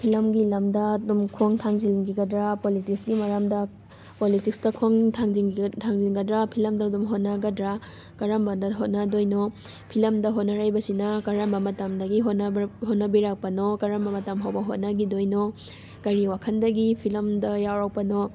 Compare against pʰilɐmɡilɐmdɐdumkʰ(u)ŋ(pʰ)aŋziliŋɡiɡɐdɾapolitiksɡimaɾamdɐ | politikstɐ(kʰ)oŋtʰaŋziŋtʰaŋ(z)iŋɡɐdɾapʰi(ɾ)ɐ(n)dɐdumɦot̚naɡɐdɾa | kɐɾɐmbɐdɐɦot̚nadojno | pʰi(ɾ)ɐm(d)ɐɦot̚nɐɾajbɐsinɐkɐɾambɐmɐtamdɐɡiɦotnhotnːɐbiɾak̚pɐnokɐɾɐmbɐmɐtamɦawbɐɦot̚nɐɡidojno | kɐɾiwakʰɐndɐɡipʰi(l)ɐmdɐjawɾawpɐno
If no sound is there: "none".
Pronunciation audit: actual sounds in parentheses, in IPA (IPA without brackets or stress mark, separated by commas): o, tʰ, kʰ, z, l, m, l, d, l